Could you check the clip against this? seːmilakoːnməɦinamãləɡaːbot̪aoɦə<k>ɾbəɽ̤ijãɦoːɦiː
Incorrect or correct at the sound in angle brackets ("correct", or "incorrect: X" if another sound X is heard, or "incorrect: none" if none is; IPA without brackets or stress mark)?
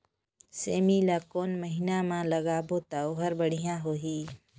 incorrect: none